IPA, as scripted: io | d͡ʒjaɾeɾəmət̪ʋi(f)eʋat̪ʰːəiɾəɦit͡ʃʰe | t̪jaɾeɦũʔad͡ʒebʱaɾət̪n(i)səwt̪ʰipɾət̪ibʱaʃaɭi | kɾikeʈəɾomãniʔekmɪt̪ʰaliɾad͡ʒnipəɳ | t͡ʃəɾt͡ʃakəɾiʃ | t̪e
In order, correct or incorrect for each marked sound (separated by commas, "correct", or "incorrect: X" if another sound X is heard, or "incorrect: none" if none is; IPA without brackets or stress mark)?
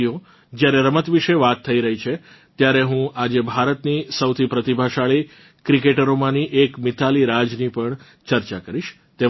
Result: incorrect: ʃ, correct